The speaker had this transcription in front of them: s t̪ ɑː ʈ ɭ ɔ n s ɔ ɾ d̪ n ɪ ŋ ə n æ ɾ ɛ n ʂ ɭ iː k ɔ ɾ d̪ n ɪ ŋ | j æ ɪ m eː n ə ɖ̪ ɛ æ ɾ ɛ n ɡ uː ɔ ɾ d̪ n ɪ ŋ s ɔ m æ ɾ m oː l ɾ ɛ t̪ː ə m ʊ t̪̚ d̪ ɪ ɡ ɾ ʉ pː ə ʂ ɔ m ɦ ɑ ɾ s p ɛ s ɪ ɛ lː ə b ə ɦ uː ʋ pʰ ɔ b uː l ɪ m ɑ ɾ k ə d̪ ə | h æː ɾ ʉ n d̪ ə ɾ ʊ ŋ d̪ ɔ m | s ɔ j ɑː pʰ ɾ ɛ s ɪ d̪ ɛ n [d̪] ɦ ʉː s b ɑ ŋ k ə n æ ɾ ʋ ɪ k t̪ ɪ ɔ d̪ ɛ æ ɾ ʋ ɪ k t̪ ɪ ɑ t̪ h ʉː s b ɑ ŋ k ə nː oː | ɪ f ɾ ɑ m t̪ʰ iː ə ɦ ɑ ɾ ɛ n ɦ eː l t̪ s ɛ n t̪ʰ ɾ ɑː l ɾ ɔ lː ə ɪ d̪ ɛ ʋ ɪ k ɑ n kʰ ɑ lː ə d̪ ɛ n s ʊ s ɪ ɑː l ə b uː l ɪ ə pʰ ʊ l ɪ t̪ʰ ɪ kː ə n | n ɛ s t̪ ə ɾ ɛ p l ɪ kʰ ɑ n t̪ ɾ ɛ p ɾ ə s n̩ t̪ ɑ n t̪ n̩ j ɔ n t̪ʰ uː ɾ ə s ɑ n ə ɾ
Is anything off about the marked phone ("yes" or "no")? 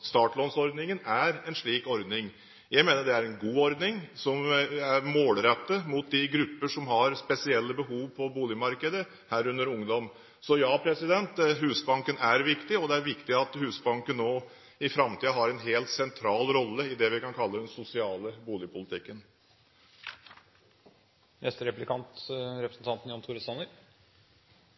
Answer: yes